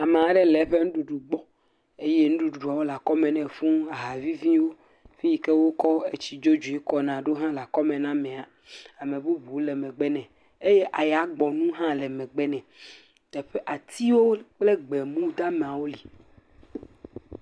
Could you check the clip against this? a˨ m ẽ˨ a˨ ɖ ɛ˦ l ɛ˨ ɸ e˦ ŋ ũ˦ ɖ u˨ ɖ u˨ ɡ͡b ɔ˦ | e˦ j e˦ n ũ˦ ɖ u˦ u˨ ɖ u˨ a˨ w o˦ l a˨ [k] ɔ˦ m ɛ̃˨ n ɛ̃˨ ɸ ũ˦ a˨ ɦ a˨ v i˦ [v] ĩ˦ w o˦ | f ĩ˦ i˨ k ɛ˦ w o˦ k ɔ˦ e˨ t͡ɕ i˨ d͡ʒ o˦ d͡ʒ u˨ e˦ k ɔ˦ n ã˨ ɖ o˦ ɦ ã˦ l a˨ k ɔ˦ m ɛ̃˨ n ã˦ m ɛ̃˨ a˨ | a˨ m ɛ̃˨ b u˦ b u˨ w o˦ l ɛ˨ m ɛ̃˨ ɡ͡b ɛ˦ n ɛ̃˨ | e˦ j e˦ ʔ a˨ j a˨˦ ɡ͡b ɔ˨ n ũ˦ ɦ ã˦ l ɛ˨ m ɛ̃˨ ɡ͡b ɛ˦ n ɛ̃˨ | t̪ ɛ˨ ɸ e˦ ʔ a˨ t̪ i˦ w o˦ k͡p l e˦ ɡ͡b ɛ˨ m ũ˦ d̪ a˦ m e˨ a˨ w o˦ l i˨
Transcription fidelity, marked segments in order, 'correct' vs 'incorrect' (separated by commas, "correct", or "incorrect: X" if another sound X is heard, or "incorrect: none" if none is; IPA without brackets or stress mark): correct, correct